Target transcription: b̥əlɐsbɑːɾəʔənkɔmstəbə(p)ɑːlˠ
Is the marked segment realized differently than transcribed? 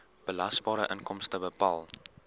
no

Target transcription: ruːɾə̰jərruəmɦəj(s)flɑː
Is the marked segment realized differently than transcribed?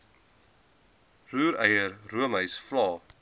no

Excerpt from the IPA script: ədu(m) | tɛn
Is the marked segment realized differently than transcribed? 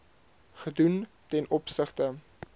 yes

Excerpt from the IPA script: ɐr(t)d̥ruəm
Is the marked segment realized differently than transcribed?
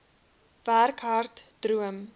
no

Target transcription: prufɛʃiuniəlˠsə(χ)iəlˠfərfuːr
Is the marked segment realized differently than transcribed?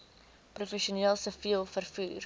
yes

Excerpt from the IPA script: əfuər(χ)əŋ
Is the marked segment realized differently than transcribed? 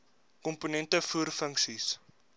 yes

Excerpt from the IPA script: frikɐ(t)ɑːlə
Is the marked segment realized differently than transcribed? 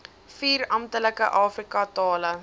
no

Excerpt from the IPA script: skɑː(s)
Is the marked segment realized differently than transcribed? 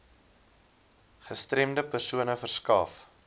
yes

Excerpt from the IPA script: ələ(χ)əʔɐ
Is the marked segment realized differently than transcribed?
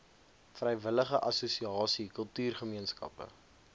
no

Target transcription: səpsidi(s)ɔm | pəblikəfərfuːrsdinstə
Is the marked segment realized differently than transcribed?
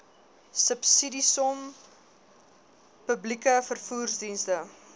no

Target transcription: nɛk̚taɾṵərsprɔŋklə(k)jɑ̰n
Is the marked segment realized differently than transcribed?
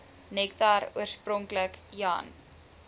no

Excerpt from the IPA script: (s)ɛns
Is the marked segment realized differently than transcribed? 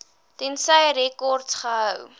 yes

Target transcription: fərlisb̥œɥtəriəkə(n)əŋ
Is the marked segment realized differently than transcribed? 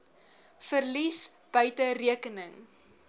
no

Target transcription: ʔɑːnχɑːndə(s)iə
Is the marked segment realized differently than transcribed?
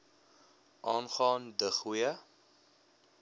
yes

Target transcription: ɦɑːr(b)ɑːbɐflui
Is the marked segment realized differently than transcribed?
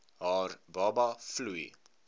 no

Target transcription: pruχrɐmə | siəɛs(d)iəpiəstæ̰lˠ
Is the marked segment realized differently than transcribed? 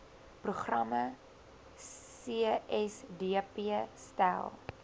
no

